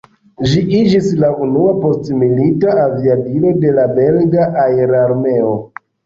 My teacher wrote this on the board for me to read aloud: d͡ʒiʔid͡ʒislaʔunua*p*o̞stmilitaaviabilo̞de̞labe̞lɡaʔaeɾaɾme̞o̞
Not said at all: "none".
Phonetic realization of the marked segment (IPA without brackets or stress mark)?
p